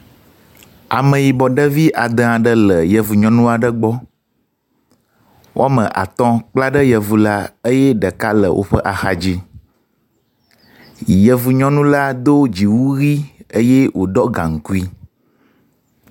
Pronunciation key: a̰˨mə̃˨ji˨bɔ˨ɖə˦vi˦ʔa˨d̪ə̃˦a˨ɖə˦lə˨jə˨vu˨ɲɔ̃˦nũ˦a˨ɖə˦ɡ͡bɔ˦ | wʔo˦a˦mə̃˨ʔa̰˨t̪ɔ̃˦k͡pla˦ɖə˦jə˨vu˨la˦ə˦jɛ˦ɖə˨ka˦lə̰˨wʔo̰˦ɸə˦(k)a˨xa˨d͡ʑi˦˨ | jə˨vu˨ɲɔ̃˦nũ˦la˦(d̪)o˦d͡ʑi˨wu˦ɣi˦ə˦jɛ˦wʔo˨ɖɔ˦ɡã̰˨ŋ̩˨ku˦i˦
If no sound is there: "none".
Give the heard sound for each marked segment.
ʔ, d̪

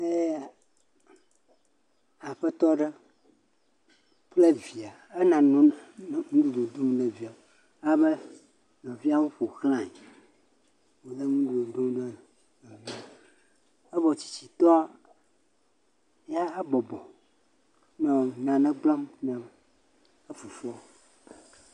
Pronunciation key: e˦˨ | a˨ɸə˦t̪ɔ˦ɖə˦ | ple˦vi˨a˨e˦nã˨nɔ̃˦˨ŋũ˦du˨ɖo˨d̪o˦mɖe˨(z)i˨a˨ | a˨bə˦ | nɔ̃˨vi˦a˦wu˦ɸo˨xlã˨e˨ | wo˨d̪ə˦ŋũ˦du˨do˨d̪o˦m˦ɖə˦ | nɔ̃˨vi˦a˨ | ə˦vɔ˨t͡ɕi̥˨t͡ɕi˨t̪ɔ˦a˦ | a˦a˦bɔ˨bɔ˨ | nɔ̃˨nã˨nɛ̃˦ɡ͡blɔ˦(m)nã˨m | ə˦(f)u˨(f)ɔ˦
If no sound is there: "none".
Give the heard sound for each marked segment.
v, m, f, f

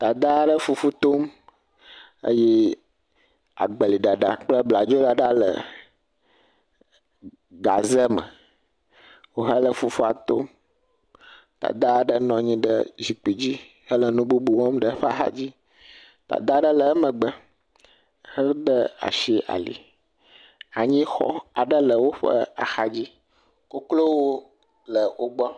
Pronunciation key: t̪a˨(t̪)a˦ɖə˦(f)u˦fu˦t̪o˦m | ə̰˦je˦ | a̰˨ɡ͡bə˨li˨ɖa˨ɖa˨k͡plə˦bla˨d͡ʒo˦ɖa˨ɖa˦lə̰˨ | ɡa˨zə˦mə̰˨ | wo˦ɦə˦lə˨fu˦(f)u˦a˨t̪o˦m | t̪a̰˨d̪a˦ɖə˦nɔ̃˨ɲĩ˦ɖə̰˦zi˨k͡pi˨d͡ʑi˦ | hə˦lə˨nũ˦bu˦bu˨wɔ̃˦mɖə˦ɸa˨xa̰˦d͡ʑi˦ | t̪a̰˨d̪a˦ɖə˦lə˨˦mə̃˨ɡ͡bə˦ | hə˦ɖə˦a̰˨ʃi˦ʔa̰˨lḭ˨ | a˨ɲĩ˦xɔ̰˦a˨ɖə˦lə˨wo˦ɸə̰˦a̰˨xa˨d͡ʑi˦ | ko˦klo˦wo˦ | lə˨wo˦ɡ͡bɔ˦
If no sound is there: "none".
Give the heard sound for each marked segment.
d̪, f, f

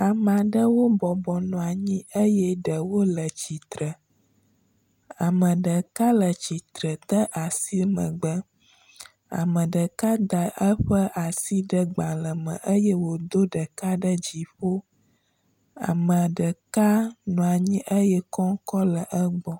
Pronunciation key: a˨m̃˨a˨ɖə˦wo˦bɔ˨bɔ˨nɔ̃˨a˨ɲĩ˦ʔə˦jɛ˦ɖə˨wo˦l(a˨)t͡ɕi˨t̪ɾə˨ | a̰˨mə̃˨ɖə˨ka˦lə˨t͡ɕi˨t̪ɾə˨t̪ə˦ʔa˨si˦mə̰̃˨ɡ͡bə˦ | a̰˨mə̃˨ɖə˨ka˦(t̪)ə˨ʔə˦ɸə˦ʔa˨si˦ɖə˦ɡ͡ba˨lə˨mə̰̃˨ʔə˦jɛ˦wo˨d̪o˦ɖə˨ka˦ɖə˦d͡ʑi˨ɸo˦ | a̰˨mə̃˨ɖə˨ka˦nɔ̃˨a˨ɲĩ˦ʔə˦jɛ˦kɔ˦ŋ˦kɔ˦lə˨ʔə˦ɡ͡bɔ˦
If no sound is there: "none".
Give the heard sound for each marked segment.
ə˨, d̪

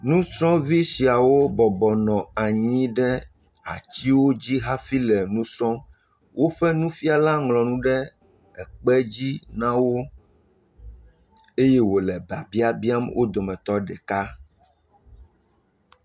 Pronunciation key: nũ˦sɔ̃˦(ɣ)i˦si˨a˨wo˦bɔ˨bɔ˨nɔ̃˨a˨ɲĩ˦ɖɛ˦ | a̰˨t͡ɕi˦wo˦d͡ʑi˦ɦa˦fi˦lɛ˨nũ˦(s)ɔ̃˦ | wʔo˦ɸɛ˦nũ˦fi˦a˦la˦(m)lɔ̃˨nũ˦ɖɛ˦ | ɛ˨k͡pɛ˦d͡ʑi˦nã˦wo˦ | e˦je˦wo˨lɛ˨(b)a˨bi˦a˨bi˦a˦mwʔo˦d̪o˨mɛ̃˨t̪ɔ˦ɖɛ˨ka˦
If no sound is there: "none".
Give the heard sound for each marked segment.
v, s, ŋ, b

